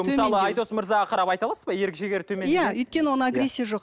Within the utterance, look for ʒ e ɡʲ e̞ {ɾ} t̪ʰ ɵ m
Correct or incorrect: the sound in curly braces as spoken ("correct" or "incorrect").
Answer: correct